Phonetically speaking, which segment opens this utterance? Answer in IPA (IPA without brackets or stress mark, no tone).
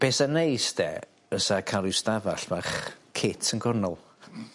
b̥